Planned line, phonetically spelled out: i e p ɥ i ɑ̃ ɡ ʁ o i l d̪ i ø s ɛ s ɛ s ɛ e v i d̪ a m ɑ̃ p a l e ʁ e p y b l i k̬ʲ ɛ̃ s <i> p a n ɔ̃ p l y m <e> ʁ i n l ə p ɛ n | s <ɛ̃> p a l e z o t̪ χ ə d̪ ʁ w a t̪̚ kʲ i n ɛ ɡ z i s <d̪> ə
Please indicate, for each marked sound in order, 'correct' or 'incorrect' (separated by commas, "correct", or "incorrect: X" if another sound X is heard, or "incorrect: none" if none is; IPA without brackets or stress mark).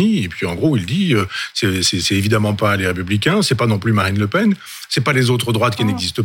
incorrect: ɛ, incorrect: a, incorrect: ɛ, incorrect: t̪